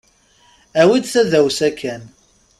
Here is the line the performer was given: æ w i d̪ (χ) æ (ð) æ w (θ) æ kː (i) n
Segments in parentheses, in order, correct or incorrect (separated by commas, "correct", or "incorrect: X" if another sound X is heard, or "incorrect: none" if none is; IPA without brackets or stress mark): incorrect: θ, correct, incorrect: s, incorrect: æ